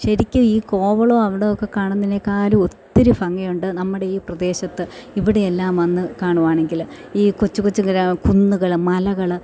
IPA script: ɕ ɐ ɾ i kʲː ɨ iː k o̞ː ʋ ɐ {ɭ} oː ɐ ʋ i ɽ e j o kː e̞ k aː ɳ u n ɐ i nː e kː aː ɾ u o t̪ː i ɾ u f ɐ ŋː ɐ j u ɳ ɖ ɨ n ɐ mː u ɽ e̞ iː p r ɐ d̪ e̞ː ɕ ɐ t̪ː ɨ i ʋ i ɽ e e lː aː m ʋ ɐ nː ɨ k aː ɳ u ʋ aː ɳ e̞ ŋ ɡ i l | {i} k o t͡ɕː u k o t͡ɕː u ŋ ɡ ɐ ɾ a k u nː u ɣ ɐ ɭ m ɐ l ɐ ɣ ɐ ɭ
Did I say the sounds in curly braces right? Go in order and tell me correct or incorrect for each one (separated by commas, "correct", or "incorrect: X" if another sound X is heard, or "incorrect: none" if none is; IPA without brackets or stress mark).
correct, incorrect: iː